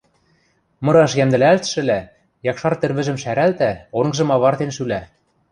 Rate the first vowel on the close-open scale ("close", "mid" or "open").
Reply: mid